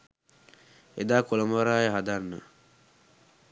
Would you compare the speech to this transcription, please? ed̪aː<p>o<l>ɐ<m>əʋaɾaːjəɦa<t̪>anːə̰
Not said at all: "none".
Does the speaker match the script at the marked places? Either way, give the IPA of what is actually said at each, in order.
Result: k, l, m, d̪

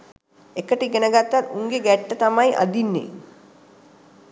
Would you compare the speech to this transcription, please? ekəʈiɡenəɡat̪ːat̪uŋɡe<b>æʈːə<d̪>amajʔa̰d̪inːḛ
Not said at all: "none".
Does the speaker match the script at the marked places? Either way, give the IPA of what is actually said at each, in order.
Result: ɡ, t̪

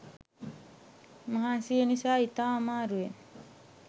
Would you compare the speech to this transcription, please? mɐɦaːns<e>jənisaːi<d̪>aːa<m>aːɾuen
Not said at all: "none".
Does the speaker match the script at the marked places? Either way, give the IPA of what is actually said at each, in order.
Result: i, t̪, m

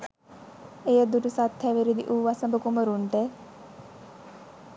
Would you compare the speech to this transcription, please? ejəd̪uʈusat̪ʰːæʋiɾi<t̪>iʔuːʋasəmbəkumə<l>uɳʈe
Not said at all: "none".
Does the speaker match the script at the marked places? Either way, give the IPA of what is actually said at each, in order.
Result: d̪, ɾ

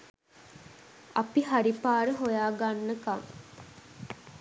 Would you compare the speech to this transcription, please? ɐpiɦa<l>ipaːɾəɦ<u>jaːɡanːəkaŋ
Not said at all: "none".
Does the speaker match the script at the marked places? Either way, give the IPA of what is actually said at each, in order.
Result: ɾ, o

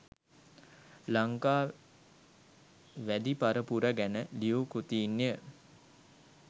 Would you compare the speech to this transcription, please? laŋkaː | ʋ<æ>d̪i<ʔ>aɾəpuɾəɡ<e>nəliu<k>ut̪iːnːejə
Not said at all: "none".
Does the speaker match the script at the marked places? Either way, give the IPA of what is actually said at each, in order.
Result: æ, p, æ, k

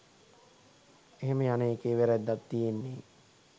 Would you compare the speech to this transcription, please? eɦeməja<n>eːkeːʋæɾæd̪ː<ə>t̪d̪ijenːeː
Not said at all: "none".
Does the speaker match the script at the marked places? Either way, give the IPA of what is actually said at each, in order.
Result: n, a

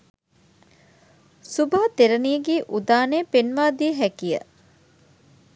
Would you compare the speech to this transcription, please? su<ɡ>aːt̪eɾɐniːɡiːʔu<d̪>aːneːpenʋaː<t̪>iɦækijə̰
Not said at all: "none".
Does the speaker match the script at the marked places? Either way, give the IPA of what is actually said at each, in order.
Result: b, d̪, d̪

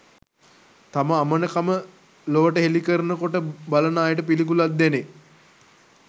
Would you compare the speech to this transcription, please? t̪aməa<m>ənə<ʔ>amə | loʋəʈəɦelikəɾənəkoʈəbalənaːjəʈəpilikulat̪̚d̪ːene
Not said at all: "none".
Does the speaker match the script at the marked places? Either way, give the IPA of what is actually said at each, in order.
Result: m, k

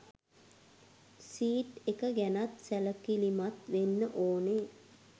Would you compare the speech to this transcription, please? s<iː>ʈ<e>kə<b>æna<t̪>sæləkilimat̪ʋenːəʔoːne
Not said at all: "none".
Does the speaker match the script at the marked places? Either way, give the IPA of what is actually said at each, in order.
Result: iː, e, ɡ, t̪

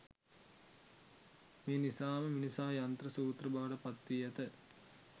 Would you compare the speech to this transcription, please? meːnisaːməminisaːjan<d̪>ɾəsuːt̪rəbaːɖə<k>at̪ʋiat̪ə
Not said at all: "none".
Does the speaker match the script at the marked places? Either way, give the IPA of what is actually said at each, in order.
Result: t̪, p

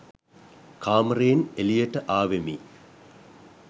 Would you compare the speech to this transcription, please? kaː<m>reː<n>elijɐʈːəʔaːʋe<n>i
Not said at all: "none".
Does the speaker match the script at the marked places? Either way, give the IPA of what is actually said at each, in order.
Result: m, n, m

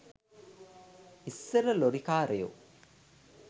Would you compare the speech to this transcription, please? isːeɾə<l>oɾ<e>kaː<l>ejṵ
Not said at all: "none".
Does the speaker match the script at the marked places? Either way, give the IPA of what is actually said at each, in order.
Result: l, i, ɾ

